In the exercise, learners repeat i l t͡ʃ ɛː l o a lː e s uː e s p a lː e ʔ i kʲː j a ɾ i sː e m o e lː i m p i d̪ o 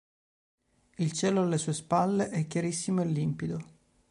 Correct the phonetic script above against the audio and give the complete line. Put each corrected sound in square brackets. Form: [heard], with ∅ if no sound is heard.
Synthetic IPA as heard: i l t͡ʃ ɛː l o a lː e s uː e s p a lː e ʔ [ɛ] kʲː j a ɾ i sː [i] m o e lː i m p i d̪ o